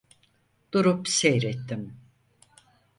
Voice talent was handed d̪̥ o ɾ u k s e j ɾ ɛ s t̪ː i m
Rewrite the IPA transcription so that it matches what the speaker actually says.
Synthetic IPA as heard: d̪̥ u ɾ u p s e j ɾ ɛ t̪ː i m